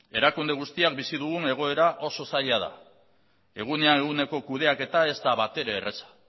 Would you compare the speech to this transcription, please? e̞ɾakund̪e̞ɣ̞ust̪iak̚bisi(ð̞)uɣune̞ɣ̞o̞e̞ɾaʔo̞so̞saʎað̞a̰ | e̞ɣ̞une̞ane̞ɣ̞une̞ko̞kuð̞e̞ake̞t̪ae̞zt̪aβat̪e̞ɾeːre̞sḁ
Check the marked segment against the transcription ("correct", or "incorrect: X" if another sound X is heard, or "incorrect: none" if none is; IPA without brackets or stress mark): correct